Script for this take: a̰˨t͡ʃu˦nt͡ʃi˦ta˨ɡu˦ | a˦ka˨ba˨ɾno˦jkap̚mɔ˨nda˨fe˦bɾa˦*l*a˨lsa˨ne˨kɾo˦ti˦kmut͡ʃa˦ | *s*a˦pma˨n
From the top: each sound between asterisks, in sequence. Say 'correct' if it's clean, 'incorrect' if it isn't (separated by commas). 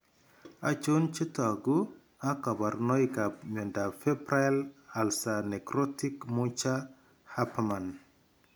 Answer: correct, incorrect